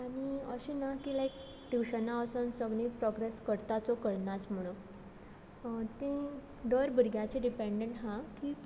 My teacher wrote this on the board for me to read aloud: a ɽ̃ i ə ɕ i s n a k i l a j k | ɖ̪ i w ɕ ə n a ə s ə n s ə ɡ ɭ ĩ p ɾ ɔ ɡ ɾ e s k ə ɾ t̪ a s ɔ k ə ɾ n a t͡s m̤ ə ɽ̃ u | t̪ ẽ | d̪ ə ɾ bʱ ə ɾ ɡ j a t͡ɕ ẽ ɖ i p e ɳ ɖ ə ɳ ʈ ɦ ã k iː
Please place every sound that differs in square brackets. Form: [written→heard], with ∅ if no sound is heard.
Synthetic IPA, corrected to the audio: a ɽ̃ i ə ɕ i [s→∅] n a k i l a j k | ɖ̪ i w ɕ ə n a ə s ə n s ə ɡ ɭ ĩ p ɾ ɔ ɡ ɾ e s k ə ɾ t̪ a [s→t͡s] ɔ k ə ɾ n a t͡s m̤ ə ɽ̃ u | t̪ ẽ | d̪ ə ɾ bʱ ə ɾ ɡ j a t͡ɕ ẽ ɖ i p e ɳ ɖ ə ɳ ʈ ɦ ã k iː

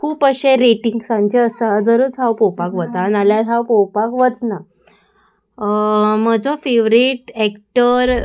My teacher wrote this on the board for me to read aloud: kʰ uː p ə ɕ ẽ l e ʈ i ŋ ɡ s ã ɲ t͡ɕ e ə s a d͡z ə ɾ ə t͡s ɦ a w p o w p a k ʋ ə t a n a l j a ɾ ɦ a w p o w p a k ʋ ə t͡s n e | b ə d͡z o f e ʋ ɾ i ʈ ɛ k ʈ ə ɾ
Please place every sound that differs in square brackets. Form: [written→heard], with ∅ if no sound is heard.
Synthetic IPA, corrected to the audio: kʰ uː p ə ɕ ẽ [l→ɾ] e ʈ i ŋ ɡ s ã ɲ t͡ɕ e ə s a d͡z ə ɾ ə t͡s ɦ a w p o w p a k ʋ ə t a n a l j a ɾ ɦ a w p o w p a k ʋ ə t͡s n [e→a] | [b→m] ə d͡z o f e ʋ ɾ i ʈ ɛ k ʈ ə ɾ

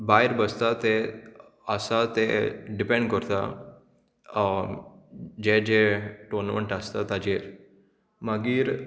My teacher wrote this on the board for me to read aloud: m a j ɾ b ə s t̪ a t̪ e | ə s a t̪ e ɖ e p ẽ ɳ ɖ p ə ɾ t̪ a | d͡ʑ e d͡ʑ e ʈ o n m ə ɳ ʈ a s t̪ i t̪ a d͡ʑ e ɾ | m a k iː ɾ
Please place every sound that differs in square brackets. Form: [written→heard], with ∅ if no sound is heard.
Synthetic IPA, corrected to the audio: [m→b] a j ɾ b ə s t̪ a t̪ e | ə s a t̪ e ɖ [e→i] p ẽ ɳ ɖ [p→k] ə ɾ t̪ a | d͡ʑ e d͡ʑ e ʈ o n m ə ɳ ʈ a s t̪ [i→a] t̪ a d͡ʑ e ɾ | m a [k→ɡ] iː ɾ

